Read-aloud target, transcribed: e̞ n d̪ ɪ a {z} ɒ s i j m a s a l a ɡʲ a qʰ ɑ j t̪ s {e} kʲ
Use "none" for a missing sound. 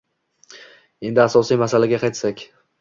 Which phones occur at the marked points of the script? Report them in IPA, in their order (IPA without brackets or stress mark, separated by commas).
s, a